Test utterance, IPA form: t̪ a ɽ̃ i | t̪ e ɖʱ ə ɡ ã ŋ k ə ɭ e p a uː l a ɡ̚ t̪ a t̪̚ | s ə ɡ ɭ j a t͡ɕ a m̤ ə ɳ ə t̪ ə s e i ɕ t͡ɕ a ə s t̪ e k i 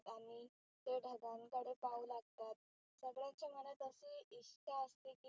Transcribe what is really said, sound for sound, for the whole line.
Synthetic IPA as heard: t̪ a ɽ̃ i | t̪ e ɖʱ ə ɡ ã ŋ k ə ɽ e p a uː l a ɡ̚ t̪ a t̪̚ | s ə ɡ ɭ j a t͡ɕ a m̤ ə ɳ ə t̪ ə s e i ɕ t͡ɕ a ə s t̪ e k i